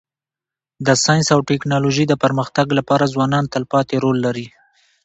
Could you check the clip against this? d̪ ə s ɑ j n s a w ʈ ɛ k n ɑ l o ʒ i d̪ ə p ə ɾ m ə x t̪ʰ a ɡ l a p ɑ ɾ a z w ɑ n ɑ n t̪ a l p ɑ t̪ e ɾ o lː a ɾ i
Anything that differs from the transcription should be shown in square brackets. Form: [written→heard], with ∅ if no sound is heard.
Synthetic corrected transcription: d̪ ə s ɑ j n s a w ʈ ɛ k n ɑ l o ʒ i d̪ ə p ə ɾ m ə x [t̪ʰ→t̪] a ɡ l a p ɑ ɾ a z w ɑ n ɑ n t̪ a l p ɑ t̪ e ɾ o lː a ɾ i